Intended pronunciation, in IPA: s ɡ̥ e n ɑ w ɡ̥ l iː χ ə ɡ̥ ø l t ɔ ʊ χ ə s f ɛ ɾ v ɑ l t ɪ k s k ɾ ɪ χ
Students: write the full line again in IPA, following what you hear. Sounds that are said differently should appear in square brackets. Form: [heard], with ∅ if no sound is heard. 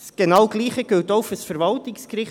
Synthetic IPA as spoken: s ɡ̥ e n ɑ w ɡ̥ l iː χ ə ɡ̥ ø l t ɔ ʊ [f] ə s f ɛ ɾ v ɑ l t ɪ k s k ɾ ɪ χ